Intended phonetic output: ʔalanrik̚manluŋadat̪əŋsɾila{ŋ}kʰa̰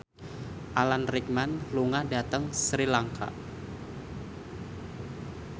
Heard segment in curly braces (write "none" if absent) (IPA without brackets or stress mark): ŋ